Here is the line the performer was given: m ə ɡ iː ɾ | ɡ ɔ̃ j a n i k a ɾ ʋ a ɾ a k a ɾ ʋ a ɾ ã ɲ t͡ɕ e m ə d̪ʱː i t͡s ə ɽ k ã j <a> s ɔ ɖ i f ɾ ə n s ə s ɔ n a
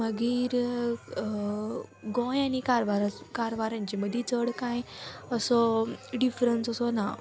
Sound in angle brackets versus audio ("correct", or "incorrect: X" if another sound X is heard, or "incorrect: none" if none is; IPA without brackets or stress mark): incorrect: ə